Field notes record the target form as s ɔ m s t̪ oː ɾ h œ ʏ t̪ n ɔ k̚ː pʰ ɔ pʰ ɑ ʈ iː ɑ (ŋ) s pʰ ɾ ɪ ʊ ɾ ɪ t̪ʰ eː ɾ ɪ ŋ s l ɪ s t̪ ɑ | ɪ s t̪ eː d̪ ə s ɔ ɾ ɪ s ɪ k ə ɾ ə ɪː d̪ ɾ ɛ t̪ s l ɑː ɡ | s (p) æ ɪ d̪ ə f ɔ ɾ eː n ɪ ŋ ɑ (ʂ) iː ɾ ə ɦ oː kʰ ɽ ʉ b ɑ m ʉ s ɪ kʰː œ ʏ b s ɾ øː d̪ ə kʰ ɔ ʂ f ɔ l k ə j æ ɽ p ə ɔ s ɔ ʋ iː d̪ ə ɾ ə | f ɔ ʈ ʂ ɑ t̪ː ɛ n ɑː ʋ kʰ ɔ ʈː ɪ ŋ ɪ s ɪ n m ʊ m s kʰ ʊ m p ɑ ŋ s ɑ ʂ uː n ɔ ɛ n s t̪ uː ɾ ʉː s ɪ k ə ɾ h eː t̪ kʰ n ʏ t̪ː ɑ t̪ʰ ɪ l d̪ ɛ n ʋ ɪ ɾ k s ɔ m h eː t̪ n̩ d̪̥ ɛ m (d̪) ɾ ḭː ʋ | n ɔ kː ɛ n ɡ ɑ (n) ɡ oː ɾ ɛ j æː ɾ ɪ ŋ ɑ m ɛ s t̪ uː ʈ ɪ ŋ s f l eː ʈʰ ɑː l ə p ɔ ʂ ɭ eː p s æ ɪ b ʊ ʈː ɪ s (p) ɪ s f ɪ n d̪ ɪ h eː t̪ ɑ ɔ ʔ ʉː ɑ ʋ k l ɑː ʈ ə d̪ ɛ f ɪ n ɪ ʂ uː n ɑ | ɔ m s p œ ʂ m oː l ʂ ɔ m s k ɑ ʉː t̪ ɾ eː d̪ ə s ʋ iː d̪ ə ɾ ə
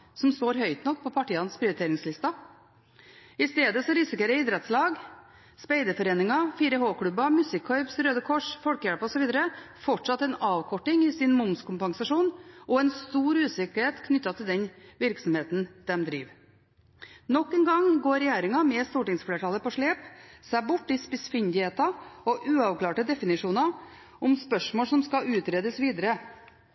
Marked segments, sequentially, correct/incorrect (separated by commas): incorrect, correct, incorrect, correct, incorrect, correct